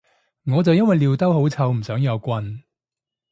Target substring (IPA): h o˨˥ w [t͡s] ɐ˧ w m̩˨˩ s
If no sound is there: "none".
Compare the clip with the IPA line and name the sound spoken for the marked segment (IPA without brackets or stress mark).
t͡sʰ